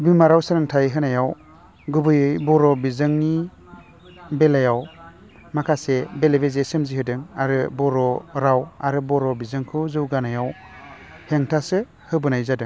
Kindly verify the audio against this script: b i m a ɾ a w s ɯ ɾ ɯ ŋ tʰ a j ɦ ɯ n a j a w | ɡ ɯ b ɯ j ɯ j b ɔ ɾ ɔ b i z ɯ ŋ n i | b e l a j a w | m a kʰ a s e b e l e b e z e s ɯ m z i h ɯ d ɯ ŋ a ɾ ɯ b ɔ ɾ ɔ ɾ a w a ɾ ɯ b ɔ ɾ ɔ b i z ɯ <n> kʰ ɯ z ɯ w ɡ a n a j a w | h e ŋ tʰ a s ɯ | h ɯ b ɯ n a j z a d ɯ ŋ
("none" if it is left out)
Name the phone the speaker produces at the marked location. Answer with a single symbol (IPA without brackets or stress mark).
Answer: ŋ